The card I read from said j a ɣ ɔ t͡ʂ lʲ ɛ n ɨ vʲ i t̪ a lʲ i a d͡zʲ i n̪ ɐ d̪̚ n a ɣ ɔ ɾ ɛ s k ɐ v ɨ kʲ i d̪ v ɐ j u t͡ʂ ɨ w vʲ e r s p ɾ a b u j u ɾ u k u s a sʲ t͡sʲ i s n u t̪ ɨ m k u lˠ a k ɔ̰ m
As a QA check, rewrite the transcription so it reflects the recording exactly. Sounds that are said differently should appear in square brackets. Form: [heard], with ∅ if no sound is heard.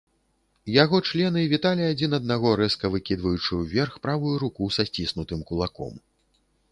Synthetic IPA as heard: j a ɣ ɔ t͡ʂ lʲ ɛ n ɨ vʲ i t̪ a lʲ i a d͡zʲ i n̪ ɐ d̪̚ n a ɣ ɔ ɾ ɛ s k ɐ v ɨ kʲ i d̪ v ɐ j u t͡ʂ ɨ w vʲ [ɛ] r [x] p ɾ a [v] u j u ɾ u k u s a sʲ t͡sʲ i s n u t̪ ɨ m k u lˠ a k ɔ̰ m